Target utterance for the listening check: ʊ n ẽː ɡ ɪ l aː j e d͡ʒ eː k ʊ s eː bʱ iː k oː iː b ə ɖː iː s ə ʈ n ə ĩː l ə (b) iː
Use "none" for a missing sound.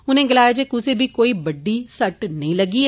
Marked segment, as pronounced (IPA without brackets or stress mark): ɡ